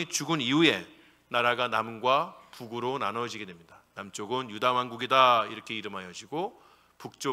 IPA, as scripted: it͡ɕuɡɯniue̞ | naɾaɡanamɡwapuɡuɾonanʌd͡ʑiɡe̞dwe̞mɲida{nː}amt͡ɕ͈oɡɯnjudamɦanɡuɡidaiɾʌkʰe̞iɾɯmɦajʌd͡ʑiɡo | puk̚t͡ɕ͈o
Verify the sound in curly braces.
incorrect: n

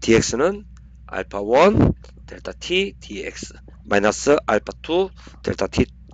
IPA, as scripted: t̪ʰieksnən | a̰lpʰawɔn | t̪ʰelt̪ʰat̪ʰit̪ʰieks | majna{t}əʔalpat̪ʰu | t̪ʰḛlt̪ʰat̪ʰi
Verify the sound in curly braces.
incorrect: s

